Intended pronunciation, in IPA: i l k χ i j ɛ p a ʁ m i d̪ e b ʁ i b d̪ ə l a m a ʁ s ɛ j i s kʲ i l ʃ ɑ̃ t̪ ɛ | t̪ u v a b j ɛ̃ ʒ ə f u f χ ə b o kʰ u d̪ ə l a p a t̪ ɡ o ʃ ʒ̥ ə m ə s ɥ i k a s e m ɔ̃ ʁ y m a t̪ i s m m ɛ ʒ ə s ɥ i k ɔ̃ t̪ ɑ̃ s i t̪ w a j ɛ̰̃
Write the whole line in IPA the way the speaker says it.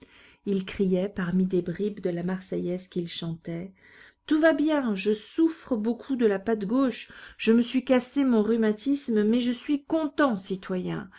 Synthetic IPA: i l k χ i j ɛ p a ʁ m i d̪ e b ʁ i b d̪ ə l a m a ʁ s ɛ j ɛ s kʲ i l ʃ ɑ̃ t̪ ɛ | t̪ u v a b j ɛ̃ ʒ ə s u f χ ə b o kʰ u d̪ ə l a p a t̪ ɡ o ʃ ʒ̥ ə m ə s ɥ i k a s e m ɔ̃ ʁ y m a t̪ i s m m ɛ ʒ ə s ɥ i k ɔ̃ t̪ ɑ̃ s i t̪ w a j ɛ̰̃